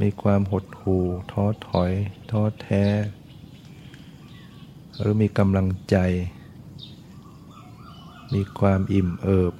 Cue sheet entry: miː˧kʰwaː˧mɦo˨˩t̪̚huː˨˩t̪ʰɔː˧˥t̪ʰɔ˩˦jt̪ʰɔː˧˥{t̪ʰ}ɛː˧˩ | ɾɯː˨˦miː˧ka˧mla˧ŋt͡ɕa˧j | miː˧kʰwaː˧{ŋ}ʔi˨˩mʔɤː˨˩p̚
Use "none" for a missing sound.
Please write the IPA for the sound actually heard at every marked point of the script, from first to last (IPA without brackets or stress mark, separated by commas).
t̪ʰ, m